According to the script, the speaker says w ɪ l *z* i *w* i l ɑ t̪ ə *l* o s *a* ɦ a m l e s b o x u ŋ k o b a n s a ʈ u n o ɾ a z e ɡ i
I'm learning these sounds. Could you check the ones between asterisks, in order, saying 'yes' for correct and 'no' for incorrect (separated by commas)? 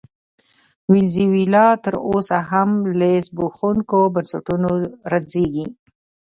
yes, yes, no, yes